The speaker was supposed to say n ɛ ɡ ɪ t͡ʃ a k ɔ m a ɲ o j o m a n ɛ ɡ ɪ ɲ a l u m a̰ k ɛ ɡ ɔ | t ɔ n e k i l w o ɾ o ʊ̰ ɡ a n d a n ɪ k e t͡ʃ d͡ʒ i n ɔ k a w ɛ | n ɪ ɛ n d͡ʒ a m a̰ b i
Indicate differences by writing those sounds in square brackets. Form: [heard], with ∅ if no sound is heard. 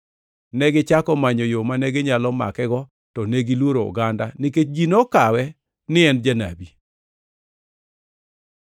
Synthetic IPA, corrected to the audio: n ɛ ɡ ɪ t͡ʃ a k ɔ m a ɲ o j o m a n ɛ ɡ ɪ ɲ a l [ɔ] m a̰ k ɛ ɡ ɔ | t ɔ n e [ɡ] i l w o ɾ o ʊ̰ ɡ a n d a n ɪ k e t͡ʃ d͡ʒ i n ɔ k a w ɛ | n ɪ ɛ n d͡ʒ a [n] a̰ b i